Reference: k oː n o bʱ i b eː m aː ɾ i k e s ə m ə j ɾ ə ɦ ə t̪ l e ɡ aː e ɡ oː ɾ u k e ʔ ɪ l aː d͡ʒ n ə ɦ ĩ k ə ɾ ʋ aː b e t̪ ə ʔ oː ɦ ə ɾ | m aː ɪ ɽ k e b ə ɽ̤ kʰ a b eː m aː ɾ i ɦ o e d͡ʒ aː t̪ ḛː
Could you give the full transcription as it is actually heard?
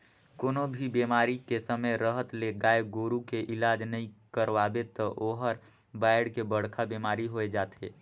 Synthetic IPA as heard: k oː n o bʱ i b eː m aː ɾ i k e s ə m ə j ɾ ə ɦ ə t̪ l e ɡ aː e ɡ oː ɾ u k e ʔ ɪ l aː d͡ʒ n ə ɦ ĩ k ə ɾ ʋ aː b e t̪ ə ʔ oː ɦ ə ɾ | b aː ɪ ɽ k e b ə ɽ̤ kʰ a b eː m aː ɾ i ɦ o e d͡ʒ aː t̪ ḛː